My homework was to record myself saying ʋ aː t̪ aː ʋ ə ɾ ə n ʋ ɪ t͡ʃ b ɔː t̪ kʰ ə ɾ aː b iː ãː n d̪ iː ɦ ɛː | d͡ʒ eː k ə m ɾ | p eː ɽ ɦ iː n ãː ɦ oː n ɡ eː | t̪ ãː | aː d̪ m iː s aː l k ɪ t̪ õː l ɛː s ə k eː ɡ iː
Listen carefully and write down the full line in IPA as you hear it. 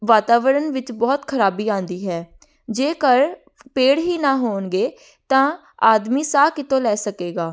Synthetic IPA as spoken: ʋ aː t̪ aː ʋ ə ɾ ə n ʋ ɪ t͡ʃ b ɔː t̪ kʰ ə ɾ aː b iː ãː n d̪ iː ɦ ɛː | d͡ʒ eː k ə ɾ | p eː ɽ ɦ iː n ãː ɦ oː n ɡ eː | t̪ ãː | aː d̪ m iː s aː k ɪ t̪ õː l ɛː s ə k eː ɡ aː